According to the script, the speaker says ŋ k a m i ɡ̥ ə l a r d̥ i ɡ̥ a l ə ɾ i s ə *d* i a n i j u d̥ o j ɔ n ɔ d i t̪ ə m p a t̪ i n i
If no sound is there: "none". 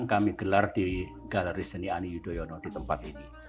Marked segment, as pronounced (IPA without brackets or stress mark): n